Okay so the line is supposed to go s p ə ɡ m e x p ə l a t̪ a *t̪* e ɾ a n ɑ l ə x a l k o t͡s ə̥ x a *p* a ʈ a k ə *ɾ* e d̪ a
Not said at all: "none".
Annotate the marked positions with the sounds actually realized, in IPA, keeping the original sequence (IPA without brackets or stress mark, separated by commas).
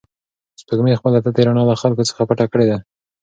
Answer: t̪, p, ɽ